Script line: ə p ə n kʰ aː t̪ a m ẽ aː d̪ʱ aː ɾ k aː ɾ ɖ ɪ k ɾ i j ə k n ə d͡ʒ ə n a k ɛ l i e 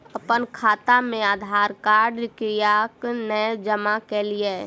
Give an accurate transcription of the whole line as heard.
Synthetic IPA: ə p ə n kʰ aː t̪ a m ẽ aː d̪ʱ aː ɾ k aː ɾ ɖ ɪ k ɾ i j a k n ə d͡ʒ ə m a k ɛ l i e